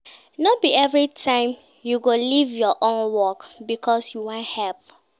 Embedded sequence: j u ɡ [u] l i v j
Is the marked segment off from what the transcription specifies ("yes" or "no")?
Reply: yes